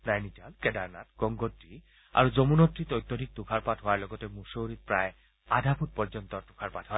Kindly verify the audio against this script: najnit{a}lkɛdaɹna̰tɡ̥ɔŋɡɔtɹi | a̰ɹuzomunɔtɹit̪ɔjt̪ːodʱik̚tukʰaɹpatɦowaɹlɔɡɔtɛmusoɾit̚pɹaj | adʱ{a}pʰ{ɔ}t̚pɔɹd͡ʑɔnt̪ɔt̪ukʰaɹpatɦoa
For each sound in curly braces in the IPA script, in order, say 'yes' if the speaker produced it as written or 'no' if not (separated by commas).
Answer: yes, yes, no